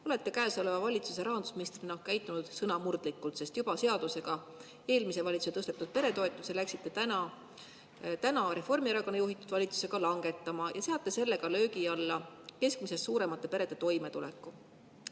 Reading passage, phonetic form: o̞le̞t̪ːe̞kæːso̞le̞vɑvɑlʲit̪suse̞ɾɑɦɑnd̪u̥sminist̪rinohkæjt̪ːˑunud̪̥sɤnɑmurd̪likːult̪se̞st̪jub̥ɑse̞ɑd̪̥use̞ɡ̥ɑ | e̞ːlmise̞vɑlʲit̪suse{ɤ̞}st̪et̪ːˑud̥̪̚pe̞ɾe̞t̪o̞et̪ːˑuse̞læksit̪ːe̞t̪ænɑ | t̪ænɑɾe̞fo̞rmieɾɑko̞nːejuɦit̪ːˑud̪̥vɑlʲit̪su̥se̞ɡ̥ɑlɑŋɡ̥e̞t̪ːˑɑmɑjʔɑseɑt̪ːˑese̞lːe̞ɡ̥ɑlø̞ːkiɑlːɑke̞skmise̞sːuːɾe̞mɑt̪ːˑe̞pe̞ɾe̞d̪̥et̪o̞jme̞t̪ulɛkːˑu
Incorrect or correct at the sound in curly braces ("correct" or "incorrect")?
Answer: correct